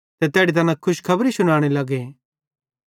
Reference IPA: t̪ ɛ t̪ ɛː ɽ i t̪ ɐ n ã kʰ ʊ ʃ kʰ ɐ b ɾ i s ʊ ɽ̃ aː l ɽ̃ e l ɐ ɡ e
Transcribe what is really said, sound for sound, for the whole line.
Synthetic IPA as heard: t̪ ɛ t̪ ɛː ɽ i t̪ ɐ n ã kʰ ʊ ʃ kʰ ɐ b ɾ i s ʊ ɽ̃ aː ɽ̃ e l ɐ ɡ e